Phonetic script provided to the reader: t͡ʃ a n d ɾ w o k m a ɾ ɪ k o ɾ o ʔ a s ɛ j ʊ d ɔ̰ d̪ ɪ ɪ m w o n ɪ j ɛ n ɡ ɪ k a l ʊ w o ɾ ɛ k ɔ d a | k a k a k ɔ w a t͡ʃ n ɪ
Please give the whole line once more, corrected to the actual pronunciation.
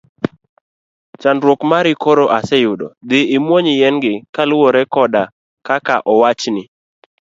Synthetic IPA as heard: t͡ʃ a n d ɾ w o k m a ɾ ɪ k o ɾ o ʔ a s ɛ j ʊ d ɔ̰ d̪ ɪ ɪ m w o ɲ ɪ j ɛ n ɡ ɪ k a l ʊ w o ɾ ɛ k ɔ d a | k a k a ʔ ɔ w a t͡ʃ n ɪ